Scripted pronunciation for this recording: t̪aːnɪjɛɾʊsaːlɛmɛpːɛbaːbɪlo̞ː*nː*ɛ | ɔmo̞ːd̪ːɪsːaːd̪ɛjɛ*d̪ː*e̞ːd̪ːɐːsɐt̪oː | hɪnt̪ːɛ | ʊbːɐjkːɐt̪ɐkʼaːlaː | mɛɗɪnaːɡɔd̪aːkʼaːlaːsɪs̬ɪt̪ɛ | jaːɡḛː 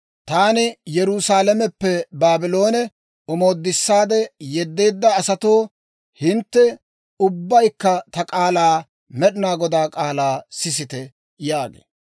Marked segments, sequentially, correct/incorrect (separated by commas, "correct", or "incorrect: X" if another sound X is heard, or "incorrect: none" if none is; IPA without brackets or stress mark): incorrect: n, correct